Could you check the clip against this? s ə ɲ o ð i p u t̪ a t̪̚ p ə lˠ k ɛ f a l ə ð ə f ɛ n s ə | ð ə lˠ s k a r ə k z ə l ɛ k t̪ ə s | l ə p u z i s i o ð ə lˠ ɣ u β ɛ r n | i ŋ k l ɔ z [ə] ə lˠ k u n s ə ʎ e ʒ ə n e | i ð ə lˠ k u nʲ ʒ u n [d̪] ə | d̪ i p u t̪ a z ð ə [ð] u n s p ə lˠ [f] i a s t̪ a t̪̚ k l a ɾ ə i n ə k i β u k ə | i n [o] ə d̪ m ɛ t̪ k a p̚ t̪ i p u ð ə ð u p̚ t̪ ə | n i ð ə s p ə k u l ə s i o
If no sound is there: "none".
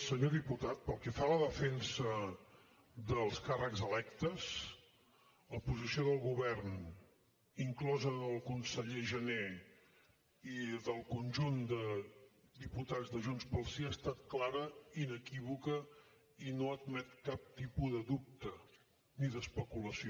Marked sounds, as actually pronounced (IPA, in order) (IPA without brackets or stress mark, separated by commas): ə, d̪, ʒ, s, o